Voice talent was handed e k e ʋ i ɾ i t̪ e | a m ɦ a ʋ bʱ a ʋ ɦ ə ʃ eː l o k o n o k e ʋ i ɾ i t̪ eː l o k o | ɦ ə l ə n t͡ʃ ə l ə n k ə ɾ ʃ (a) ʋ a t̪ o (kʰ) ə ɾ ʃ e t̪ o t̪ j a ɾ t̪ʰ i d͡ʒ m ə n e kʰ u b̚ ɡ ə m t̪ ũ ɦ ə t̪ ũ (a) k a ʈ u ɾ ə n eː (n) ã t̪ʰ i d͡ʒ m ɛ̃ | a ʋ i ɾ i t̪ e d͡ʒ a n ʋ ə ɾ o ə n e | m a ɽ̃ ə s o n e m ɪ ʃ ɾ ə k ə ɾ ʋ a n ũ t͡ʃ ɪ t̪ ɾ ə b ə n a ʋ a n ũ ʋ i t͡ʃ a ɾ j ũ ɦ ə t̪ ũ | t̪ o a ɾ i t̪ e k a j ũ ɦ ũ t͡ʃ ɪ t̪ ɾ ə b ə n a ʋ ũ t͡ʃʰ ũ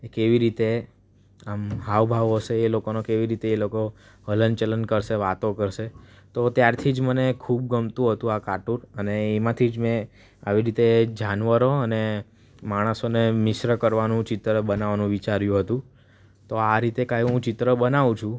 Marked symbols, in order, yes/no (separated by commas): no, no, yes, no